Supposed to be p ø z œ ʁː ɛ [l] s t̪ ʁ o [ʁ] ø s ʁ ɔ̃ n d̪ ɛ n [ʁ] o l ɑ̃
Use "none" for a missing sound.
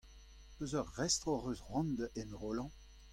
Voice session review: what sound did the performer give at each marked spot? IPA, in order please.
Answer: none, ʁ, ʁ

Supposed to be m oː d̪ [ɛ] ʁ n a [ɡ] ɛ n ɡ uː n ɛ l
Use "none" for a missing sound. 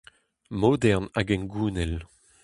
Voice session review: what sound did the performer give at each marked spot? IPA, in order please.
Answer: ɛ, ɡ

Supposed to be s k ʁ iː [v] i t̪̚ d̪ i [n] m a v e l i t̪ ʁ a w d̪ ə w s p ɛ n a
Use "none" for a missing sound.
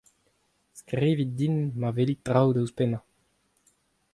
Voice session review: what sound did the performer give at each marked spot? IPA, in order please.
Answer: v, n

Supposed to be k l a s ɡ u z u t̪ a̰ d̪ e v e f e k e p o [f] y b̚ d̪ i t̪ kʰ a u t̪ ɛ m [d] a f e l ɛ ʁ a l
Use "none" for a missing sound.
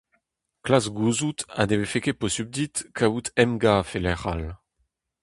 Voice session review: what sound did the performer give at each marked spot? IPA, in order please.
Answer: s, ɡ

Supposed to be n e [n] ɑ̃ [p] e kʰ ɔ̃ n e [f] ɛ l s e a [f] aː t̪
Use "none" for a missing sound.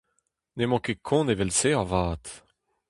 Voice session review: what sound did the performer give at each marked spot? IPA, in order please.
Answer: m, k, v, v

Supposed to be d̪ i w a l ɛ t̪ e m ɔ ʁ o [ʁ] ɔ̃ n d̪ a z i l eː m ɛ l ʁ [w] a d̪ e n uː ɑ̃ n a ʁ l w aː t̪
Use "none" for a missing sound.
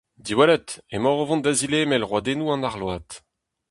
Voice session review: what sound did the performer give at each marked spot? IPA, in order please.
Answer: v, w

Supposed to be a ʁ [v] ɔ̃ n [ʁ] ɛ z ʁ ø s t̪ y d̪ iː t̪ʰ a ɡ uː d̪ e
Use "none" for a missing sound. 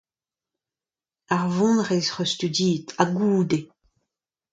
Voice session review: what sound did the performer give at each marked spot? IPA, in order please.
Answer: v, ʁ

